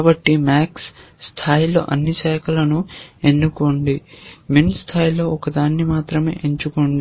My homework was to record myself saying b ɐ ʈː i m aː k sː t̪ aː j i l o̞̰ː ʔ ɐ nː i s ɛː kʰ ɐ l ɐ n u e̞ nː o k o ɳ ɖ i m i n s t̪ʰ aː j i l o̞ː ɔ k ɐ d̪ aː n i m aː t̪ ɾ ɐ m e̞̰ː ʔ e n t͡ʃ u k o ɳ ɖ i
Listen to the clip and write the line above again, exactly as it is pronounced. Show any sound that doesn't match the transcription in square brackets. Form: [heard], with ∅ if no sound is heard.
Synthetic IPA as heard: b ɐ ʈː i m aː k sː [t̪ʰ] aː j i l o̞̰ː ʔ ɐ nː i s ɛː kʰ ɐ l ɐ n u e̞ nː [u] k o ɳ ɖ i m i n s t̪ʰ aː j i l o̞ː ɔ k ɐ d̪ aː [nː] i m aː t̪ ɾ ɐ m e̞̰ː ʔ e [ɲ] t͡ʃ u k o ɳ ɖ i